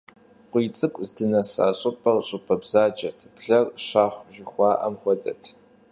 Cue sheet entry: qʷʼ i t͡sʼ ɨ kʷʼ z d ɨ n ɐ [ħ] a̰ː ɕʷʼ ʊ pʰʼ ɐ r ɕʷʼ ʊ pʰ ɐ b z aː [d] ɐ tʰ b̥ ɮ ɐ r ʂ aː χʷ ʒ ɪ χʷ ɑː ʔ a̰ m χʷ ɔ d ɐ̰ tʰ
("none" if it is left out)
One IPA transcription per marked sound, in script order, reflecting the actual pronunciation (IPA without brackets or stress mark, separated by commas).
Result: s, d͡ʒ